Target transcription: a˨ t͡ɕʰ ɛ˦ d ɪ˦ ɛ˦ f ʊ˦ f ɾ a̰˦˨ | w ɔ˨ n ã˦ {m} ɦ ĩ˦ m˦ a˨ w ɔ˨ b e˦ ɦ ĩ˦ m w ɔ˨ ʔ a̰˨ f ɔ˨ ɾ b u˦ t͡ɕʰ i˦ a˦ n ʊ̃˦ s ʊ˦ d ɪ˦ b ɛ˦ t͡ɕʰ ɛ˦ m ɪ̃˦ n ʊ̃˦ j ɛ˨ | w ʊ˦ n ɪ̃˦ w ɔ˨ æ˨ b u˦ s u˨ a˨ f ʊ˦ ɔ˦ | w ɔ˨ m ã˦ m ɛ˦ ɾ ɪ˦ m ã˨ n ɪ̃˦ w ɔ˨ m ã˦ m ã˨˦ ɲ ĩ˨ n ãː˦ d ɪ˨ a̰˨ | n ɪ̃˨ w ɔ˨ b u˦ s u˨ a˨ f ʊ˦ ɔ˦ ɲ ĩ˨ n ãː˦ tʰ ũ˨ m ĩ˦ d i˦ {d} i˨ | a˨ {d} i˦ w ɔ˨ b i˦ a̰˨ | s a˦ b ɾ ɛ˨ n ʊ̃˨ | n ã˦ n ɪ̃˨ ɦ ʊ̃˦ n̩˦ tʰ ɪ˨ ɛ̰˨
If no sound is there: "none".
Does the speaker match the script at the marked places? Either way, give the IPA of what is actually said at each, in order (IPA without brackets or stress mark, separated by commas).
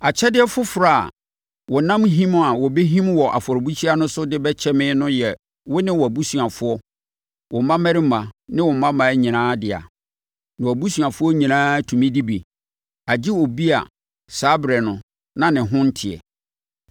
m, b, d͡ʑ